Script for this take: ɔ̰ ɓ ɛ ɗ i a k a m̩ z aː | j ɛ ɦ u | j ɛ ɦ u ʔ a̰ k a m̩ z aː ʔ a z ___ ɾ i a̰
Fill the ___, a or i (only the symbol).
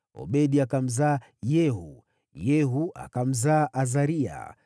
a